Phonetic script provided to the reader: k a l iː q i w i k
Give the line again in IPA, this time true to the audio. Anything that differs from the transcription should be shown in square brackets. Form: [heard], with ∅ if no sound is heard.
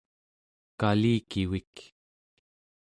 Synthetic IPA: k a l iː [k] i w i k